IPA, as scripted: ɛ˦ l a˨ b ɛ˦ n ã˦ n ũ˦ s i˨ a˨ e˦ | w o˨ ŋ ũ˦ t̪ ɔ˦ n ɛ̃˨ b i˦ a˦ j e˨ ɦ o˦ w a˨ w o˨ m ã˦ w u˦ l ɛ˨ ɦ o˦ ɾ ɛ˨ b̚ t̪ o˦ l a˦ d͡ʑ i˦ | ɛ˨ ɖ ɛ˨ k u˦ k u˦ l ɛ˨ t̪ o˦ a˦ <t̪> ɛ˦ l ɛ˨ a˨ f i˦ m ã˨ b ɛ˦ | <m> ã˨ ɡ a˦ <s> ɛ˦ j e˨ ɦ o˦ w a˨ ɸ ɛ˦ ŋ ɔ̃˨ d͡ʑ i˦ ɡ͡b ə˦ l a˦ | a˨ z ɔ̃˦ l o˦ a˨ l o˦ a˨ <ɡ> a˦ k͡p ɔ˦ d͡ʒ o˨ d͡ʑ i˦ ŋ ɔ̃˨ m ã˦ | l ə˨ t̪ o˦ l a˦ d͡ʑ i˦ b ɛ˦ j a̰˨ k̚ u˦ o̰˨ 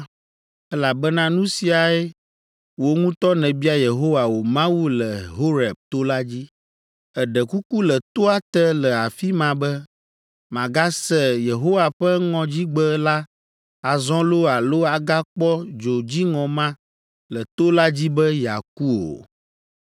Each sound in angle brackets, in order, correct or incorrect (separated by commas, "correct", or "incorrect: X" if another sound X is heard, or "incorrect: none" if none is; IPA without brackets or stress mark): correct, correct, correct, correct